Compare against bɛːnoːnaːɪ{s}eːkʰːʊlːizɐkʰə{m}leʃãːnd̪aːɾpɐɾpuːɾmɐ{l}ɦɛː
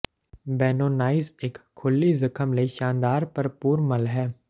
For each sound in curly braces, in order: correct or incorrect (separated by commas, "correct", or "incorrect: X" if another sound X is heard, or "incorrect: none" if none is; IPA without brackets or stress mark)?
incorrect: z, correct, correct